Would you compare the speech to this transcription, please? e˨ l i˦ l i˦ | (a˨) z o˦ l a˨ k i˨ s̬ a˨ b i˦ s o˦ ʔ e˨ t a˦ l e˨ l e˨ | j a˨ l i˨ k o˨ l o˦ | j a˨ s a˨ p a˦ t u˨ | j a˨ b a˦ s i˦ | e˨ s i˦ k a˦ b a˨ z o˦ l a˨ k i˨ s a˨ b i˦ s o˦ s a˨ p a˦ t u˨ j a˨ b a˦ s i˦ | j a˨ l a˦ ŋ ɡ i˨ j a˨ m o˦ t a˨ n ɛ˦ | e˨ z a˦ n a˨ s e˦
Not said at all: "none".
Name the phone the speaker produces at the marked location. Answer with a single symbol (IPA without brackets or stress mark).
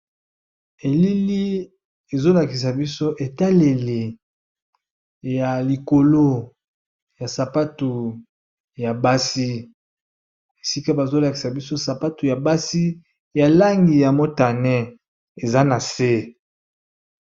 e˨